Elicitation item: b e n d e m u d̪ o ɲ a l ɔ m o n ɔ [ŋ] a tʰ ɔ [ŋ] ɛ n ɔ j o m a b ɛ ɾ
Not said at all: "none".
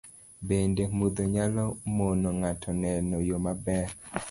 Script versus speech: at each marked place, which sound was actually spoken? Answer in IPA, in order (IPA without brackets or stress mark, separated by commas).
ŋ, n